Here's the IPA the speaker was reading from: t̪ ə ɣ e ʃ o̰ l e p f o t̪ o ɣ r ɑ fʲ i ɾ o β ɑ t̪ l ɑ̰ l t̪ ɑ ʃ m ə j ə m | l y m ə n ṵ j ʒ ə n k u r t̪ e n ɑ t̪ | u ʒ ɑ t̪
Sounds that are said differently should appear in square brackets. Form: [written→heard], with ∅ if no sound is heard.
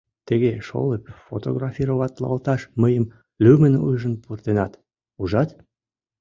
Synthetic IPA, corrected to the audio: t̪ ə ɣ e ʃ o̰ l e p f o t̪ o ɣ r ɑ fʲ i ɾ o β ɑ t̪ l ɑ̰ l t̪ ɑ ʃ m ə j ə m | l y m ə n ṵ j ʒ ə n [k→p] u r t̪ e n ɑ t̪ | u ʒ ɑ t̪